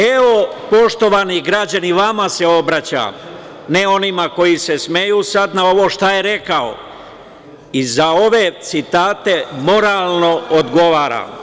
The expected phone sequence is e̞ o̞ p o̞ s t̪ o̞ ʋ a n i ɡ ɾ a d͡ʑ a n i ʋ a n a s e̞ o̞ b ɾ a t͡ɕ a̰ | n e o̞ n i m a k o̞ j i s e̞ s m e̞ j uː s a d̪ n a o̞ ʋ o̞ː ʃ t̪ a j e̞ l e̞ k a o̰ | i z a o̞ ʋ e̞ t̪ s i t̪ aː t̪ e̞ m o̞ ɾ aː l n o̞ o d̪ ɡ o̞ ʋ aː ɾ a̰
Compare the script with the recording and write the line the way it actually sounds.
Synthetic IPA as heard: e̞ o̞ p o̞ ʃ t̪ o̞ ʋ a n i ɡ ɾ a d͡ʑ a n i ʋ a m a s e̞ o̞ b ɾ a t͡ɕ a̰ | n e o̞ n i m a k o̞ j i s e̞ s m e̞ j uː s a d̪ n a o̞ ʋ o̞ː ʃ t̪ a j e̞ ɾ e̞ k a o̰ | i z a o̞ ʋ e̞ t̪ s i t̪ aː t̪ e̞ m o̞ ɾ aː l n o̞ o d̪ ɡ o̞ ʋ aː ɾ a̰

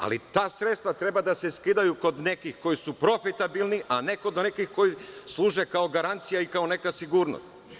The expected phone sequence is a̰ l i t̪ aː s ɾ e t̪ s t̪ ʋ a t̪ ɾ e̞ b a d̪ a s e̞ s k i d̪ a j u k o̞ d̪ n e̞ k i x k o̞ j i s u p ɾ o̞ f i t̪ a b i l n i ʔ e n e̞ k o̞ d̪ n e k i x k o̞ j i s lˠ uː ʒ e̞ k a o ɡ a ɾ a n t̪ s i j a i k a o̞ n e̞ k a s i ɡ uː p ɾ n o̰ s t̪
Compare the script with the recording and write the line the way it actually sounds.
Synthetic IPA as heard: a̰ l i t̪ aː s ɾ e t̪ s t̪ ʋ a t̪ ɾ e̞ b a d̪ a s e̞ s k i d̪ a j u k o̞ d̪ n e̞ k i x k o̞ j i s u p ɾ o̞ f i t̪ a b i l n i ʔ a n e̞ k o̞ d̪ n e k i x k o̞ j i s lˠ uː ʒ e̞ k a o ɡ a ɾ a n t̪ s i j a i k a o̞ n e̞ k a s i ɡ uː ɾ n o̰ s t̪

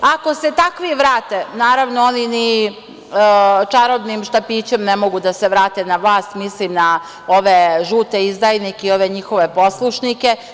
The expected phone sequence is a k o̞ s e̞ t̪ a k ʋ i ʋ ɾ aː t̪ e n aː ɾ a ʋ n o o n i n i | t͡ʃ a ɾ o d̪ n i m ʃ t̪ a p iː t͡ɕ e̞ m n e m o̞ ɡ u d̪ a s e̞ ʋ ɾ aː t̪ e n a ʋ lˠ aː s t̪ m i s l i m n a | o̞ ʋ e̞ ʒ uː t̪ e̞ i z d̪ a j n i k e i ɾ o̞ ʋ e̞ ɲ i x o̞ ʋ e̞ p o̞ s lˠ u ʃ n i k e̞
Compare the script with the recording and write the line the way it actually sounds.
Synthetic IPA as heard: a k o̞ s e̞ t̪ a k ʋ i ʋ ɾ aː t̪ e n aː ɾ a ʋ n o o n i n i | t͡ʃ a ɾ o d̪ n i m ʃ t̪ a p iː t͡ɕ e̞ m n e m o̞ ɡ u d̪ a s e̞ ʋ ɾ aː t̪ e n a ʋ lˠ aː s t̪ m i s l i m n a | o̞ ʋ e̞ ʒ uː t̪ e̞ i z d̪ a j n i k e i o̞ ʋ e̞ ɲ i x o̞ ʋ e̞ p o̞ s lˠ u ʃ n i k e̞

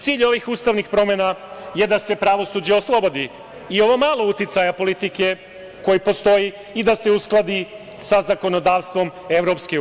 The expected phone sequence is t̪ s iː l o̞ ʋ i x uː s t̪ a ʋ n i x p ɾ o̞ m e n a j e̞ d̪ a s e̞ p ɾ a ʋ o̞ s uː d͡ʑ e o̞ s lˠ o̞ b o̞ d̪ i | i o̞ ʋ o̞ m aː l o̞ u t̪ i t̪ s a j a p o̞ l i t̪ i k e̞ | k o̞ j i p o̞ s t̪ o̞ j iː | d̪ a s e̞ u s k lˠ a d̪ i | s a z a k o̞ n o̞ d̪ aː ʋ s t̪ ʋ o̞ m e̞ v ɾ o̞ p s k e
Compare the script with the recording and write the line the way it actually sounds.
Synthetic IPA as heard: t̪ s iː ʎ o̞ ʋ i x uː s t̪ a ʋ n i x p ɾ o̞ m e n a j e̞ d̪ a s e̞ p ɾ a ʋ o̞ s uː d͡ʑ e o̞ s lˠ o̞ b o̞ d̪ i | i o̞ ʋ o̞ m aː l o̞ u t̪ i t̪ s a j a p o̞ l i t̪ i k e̞ | k o̞ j i p o̞ s t̪ o̞ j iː | d̪ a s e̞ u s k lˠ a d̪ i | s a z a k o̞ n o̞ d̪ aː ʋ s t̪ ʋ o̞ m e̞ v ɾ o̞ p s k e

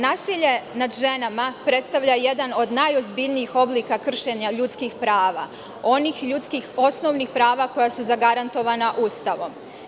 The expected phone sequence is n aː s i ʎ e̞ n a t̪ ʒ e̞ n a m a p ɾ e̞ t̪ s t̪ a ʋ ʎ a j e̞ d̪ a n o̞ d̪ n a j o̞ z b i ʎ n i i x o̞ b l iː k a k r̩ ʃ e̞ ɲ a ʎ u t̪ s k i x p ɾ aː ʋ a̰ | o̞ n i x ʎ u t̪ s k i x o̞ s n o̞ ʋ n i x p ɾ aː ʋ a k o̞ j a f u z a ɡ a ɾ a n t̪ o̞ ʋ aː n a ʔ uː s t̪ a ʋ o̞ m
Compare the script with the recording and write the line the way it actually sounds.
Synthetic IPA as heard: n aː s i ʎ e̞ n a d̪ ʒ e̞ n a m a p ɾ e̞ t̪ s t̪ a ʋ ʎ a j e̞ d̪ a n o̞ d̪ n a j o̞ z b i ʎ n i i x o̞ b l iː k a k r̩ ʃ e̞ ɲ a ʎ u t̪ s k i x p ɾ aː ʋ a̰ | o̞ n i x ʎ u t̪ s k i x o̞ s n o̞ ʋ n i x p ɾ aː ʋ a k o̞ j a s u z a ɡ a ɾ a n t̪ o̞ ʋ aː n a ʔ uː s t̪ a ʋ o̞ m

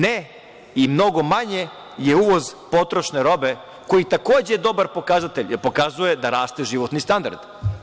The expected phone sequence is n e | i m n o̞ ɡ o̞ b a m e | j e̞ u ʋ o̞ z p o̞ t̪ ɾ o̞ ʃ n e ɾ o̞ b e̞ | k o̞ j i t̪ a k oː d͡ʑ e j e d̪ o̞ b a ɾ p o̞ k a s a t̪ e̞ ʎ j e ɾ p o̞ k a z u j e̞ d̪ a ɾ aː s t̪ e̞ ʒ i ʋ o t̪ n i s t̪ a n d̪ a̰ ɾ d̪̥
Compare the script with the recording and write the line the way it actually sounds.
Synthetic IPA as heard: n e | i m n o̞ ɡ o̞ m a ɲ e | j e̞ u ʋ o̞ z p o̞ t̪ ɾ o̞ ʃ n e ɾ o̞ b e̞ | k o̞ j i t̪ a k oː d͡ʑ e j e d̪ o̞ b a ɾ p o̞ k a z a t̪ e̞ ʎ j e ɾ p o̞ k a z u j e̞ d̪ a ɾ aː s t̪ e̞ ʒ i ʋ o t̪ n i s t̪ a n d̪ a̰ ɾ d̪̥

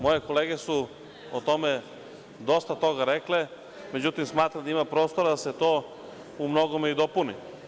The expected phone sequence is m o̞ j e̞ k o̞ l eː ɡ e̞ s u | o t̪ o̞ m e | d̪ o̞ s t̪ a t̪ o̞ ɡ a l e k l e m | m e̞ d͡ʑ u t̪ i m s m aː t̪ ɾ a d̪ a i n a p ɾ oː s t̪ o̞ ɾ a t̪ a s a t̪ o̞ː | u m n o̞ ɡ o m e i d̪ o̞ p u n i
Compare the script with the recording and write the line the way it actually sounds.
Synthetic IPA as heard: m o̞ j e̞ k o̞ l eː ɡ e̞ s u | o t̪ o̞ m e | d̪ o̞ s t̪ a t̪ o̞ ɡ a ɾ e k l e | m e̞ d͡ʑ u t̪ i m s m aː t̪ ɾ a d̪ a i m a p ɾ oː s t̪ o̞ ɾ a d̪ a s e t̪ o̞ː | u m n o̞ ɡ o m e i d̪ o̞ p u n i

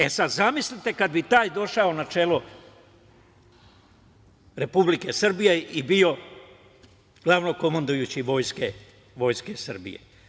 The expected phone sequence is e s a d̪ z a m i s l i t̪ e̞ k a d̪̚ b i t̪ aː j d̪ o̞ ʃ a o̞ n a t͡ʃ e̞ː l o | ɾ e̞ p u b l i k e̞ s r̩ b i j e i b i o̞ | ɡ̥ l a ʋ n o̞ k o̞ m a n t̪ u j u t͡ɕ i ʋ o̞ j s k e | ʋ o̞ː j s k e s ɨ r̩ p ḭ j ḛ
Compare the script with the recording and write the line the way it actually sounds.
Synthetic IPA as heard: e s a d̪ z a m i s l i t̪ e̞ k a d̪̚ b i t̪ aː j d̪ o̞ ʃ a o̞ n a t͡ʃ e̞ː l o | ɾ e̞ p u b l i k e̞ s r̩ b i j e i b i o̞ | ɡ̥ l a ʋ n o̞ k o̞ m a n d̪ u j u t͡ɕ i ʋ o̞ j s k e | ʋ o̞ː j s k e s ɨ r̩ b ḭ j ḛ

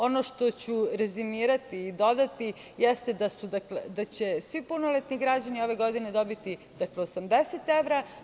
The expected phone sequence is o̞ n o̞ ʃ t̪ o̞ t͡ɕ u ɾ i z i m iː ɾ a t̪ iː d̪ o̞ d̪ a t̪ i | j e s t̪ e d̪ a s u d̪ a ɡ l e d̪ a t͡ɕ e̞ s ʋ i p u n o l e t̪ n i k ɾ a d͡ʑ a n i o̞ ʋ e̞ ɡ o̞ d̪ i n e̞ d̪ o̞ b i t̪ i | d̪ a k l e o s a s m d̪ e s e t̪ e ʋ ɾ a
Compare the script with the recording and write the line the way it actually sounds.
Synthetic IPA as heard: o̞ n o̞ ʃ t̪ o̞ t͡ɕ u ɾ e z i m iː ɾ a t̪ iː d̪ o̞ d̪ a t̪ i | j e s t̪ e d̪ a s u d̪ a k l e d̪ a t͡ɕ e̞ s ʋ i p u n o l e t̪ n i ɡ ɾ a d͡ʑ a n i o̞ ʋ e̞ ɡ o̞ d̪ i n e̞ d̪ o̞ b i t̪ i | d̪ a k l e o s a m d̪ e s e t̪ e ʋ ɾ a

